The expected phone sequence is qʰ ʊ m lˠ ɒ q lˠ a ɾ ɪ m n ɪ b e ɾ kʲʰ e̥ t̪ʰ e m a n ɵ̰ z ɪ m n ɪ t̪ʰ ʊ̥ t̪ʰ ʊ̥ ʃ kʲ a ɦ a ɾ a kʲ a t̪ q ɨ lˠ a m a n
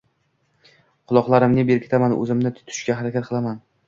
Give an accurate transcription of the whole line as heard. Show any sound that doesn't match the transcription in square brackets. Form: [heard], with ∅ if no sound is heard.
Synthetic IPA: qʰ ʊ [∅] lˠ ɒ q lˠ a ɾ ɪ m n ɪ b e ɾ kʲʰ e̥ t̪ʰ [a] m a n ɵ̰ z ɪ m n ɪ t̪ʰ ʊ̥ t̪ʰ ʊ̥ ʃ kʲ a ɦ a ɾ a kʲ a t̪ q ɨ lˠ a m a n